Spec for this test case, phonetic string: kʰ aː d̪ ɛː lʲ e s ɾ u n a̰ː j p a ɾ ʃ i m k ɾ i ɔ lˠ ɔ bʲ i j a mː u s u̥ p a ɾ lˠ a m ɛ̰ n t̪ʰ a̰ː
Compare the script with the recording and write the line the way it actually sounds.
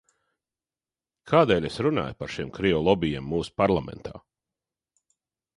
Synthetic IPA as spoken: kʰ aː d̪ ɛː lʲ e s ɾ u n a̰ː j p a ɾ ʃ i m k ɾ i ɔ lˠ ɔ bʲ i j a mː uː s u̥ p a ɾ lˠ a m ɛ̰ n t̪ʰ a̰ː